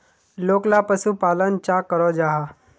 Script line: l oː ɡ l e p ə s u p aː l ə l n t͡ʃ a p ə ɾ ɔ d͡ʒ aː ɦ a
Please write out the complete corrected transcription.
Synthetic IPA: l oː k l a p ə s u p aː l ə n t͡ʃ a k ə ɾ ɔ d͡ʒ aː ɦ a